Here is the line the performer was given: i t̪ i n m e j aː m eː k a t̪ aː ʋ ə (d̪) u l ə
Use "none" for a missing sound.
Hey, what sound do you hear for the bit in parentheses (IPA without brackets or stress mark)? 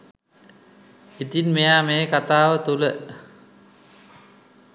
t̪